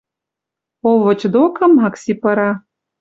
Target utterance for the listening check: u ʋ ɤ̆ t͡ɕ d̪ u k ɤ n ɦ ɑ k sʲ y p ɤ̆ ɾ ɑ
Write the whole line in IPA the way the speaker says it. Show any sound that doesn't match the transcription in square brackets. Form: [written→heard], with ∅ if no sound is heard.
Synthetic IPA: [u→o] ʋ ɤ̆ t͡ɕ d̪ [u→o] k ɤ [n→m] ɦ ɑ k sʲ [y→i] p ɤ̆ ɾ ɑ